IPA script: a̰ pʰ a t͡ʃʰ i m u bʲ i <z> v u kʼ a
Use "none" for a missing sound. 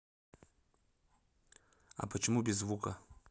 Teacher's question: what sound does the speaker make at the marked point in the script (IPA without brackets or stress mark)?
z